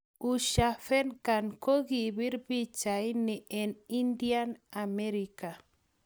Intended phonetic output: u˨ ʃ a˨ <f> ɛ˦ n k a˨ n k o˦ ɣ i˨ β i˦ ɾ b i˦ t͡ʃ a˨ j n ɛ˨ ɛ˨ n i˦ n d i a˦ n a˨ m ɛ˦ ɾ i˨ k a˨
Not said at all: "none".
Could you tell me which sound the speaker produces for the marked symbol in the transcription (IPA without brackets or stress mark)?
f